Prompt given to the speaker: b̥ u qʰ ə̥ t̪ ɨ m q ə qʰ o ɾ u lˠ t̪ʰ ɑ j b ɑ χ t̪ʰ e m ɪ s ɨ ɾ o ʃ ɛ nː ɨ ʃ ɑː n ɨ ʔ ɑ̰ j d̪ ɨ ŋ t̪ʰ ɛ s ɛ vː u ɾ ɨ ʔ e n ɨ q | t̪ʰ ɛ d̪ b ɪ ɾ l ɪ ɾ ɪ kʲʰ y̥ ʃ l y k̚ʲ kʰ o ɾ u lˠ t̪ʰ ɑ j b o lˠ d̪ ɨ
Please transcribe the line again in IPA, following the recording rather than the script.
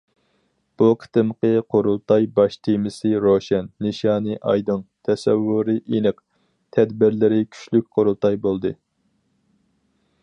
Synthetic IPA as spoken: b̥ u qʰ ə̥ t̪ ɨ m q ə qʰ o ɾ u lˠ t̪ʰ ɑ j b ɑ ʃ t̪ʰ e m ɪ s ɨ ɾ o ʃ ɛ nː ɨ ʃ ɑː n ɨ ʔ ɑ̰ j d̪ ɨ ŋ t̪ʰ ɛ s ɛ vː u ɾ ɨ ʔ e n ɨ q | t̪ʰ ɛ d̪ b ɪ ɾ l ɪ ɾ ɪ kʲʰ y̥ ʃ l y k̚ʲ qʰ o ɾ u lˠ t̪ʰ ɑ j b o lˠ d̪ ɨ